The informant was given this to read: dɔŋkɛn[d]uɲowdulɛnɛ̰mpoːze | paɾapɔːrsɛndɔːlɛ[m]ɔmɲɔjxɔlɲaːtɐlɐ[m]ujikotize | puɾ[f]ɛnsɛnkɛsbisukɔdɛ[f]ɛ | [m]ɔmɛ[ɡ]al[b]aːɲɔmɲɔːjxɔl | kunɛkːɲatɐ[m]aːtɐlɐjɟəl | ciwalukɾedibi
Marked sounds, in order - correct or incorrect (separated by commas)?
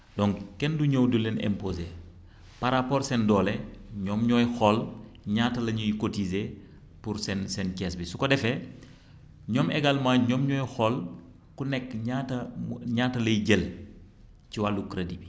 correct, incorrect, incorrect, incorrect, correct, incorrect, correct, incorrect, incorrect